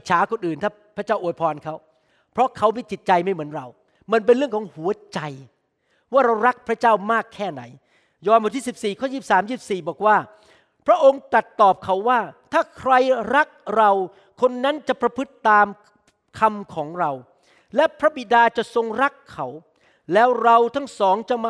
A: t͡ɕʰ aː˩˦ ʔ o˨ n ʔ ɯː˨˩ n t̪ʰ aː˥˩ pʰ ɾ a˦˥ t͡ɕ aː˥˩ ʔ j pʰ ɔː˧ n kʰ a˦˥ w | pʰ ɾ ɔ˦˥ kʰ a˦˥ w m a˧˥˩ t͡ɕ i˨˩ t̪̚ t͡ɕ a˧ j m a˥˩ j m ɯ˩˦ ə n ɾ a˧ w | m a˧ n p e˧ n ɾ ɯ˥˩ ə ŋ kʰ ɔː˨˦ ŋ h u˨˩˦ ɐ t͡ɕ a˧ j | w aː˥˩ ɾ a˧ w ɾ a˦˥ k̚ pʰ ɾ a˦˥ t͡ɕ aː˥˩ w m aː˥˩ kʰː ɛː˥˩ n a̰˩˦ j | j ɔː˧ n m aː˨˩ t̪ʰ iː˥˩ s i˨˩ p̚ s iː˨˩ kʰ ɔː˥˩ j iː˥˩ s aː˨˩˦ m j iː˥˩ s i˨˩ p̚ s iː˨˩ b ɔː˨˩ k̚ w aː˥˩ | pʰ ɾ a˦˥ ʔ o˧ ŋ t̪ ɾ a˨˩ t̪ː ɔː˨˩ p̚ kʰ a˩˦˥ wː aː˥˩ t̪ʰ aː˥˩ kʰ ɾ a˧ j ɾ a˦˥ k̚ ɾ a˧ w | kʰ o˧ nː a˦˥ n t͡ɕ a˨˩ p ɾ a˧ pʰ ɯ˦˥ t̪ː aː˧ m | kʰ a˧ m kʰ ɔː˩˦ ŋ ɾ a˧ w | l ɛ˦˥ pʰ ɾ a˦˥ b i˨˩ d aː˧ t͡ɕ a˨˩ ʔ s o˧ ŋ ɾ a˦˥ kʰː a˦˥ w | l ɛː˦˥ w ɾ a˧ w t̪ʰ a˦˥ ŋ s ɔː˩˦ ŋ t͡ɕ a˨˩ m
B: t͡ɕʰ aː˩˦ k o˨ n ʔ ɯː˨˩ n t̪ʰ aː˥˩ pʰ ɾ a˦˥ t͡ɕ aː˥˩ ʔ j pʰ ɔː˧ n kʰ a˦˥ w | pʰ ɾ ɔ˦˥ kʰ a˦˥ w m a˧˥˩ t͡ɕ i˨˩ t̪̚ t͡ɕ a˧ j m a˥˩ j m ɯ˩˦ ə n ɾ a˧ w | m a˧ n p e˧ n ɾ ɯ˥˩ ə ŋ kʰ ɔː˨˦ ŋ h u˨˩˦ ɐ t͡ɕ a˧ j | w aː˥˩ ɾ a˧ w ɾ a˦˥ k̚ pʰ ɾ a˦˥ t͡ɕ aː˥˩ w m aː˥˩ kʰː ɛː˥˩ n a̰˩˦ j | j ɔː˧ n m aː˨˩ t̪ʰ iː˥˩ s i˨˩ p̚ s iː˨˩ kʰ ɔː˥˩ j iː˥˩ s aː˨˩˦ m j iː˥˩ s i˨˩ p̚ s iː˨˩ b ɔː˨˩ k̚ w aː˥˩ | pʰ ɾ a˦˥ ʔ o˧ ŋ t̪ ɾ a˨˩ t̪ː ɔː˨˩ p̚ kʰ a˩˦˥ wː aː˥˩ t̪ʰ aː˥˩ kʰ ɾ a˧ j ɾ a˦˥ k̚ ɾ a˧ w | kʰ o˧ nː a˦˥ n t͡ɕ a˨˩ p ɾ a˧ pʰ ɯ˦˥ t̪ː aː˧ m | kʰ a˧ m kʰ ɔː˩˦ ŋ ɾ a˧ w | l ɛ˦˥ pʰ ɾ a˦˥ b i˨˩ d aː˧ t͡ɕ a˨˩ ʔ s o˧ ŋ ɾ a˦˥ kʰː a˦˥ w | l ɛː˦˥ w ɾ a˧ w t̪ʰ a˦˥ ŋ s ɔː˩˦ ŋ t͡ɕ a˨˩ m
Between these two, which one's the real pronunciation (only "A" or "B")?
B